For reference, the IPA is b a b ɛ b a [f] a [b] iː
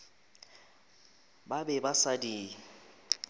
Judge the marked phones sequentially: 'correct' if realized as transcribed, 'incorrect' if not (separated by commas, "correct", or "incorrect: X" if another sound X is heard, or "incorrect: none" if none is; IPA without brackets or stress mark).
incorrect: s, incorrect: d